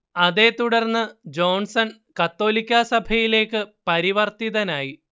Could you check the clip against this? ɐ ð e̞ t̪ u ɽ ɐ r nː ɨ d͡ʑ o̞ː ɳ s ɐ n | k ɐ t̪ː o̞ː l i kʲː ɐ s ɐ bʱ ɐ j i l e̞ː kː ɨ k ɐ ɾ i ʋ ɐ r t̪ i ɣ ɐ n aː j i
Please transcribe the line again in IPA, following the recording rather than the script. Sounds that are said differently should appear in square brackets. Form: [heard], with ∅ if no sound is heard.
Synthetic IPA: ɐ ð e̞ t̪ u ɽ ɐ r nː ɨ d͡ʑ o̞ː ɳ s ɐ n | k ɐ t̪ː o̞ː l i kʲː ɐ s ɐ bʱ ɐ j i l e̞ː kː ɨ [p] ɐ ɾ i ʋ ɐ r t̪ i [ð] ɐ n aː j i